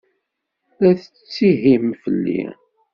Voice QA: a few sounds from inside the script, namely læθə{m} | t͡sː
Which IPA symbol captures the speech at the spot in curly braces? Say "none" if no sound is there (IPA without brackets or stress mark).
none